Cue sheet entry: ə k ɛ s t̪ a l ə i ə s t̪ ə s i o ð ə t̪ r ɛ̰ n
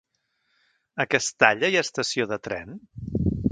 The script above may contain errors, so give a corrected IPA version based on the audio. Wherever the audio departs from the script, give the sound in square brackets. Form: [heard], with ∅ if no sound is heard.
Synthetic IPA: ə k ɛ s t̪ a [ʎ] ə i ə s t̪ ə s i o ð ə t̪ [ɾ] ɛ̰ n